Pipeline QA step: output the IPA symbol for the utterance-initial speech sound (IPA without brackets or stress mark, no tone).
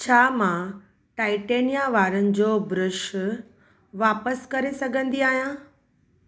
t͡ɕʰ